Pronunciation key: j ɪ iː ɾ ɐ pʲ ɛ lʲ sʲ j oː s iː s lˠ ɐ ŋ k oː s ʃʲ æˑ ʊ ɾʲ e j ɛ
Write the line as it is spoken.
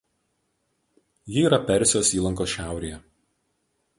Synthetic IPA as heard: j ɪ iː ɾ ɐ pʲ ɛ ɾʲ sʲ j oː s iː lˠ ɐ ŋ k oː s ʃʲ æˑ ʊ ɾʲ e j ɛ